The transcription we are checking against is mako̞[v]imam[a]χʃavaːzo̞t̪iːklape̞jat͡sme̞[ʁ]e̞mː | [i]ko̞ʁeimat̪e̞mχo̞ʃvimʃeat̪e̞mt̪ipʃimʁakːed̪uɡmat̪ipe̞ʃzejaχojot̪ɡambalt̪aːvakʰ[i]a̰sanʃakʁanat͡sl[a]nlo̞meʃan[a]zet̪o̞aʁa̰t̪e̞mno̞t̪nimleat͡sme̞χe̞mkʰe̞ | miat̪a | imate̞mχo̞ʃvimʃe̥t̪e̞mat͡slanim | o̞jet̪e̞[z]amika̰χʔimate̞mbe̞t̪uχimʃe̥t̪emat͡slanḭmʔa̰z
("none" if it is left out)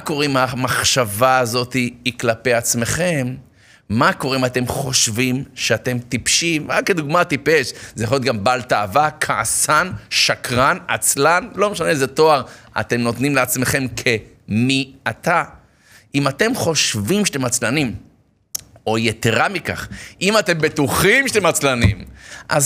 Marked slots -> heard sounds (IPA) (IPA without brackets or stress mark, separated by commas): ʁ, a, χ, a, a, a, e, ʁ